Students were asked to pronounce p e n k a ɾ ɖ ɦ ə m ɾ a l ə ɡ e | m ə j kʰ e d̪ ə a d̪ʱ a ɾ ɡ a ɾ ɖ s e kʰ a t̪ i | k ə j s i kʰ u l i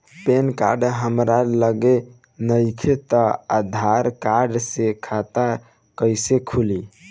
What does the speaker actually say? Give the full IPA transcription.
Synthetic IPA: p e n k a ɾ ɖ ɦ ə m ɾ a l ə ɡ e | n ə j kʰ e t̪ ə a d̪ʱ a ɾ k a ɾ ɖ s e kʰ a t̪ a | k ə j s e kʰ u l i